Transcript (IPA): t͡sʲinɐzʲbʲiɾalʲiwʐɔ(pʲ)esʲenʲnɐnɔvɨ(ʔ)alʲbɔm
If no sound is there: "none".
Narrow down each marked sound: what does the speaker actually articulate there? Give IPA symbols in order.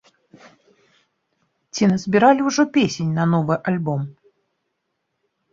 pʲ, ʔ

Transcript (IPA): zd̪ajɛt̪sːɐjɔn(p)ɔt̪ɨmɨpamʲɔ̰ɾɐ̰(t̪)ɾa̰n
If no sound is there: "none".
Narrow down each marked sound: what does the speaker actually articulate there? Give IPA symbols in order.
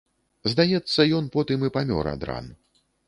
p, d̪

